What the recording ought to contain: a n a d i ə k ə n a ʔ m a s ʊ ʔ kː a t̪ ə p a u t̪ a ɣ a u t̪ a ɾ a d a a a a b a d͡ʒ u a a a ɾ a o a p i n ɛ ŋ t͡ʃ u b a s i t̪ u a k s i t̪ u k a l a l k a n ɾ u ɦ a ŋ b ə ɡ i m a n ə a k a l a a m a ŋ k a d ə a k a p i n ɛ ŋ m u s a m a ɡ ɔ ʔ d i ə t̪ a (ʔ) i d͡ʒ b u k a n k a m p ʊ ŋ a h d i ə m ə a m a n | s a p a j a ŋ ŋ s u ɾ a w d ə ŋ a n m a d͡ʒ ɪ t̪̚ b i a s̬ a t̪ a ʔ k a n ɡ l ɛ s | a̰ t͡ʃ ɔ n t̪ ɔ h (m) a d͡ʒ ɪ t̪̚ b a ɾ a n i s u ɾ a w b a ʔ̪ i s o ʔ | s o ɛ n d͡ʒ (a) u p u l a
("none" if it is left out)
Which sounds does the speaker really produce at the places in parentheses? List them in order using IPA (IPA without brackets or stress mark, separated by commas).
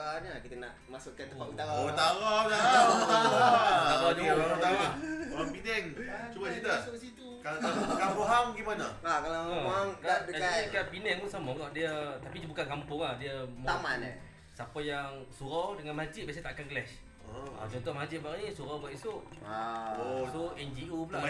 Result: p, m, i